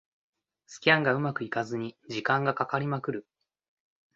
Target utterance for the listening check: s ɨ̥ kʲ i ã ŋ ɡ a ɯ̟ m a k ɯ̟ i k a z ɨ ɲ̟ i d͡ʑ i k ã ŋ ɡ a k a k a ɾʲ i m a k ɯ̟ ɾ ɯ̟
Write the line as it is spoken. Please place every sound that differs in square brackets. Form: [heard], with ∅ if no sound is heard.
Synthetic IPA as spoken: s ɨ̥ kʲ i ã ŋ ɡ a ɯ̟ m a k ɯ̟ i k a z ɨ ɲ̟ i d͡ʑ i k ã ŋ ɡ a k a k a ɾʲ i m a k ɯ̟ ɾ ɯ̟